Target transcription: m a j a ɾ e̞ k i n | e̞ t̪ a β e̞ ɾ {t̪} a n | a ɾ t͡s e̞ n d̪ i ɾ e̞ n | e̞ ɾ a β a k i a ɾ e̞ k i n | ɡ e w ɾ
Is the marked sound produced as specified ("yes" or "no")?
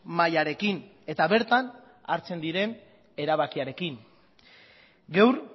yes